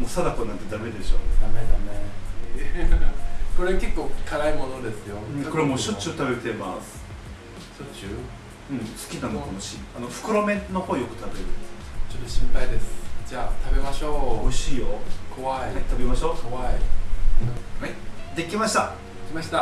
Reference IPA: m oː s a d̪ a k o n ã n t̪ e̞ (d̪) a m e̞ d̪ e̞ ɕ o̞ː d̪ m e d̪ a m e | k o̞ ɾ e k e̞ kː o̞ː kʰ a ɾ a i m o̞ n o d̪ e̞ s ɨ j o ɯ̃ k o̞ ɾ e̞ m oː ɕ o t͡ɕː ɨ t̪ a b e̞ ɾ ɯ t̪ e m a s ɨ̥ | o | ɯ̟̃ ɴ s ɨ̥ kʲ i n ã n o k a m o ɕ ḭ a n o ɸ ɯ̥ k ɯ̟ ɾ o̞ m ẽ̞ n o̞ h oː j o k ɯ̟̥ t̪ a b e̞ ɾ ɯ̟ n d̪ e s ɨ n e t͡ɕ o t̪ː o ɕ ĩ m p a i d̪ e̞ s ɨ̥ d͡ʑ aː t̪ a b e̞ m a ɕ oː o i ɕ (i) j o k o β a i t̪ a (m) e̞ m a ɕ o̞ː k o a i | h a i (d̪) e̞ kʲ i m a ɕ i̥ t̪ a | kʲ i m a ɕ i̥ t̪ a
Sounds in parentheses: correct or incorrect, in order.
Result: correct, incorrect: iː, incorrect: b, correct

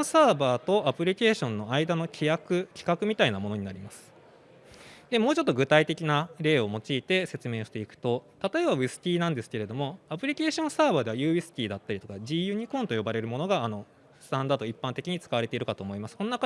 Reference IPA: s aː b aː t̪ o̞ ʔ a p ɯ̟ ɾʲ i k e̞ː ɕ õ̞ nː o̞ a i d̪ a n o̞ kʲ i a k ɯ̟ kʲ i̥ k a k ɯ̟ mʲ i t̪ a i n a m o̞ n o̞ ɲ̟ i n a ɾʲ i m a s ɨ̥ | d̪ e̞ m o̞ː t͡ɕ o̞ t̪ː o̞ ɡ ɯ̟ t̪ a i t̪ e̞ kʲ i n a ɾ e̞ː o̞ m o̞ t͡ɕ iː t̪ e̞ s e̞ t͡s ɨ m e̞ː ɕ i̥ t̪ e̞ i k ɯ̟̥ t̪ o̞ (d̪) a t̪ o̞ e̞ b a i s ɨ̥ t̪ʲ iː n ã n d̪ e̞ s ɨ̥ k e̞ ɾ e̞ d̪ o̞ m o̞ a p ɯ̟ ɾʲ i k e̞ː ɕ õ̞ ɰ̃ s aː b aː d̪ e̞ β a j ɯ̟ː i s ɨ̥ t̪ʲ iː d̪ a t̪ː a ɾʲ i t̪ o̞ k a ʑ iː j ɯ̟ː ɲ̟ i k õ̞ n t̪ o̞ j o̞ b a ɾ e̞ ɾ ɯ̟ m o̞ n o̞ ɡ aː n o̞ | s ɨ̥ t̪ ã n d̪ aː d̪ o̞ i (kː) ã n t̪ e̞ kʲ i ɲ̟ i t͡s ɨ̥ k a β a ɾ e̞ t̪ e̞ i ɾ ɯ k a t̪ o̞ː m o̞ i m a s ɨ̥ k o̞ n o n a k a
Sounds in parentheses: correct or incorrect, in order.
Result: incorrect: t̪, incorrect: pː

